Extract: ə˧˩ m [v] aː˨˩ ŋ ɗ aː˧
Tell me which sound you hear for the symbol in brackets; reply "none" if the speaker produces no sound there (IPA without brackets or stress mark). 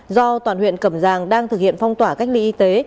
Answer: z